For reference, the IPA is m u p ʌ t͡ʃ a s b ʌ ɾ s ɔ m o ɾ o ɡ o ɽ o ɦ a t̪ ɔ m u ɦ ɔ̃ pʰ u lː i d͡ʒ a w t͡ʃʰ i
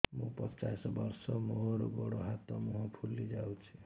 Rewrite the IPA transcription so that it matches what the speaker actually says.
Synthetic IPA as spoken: m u p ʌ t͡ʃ a s b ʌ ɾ s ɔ m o ɾ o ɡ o ɽ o ɦ a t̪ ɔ m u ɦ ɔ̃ pʰ u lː i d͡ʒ a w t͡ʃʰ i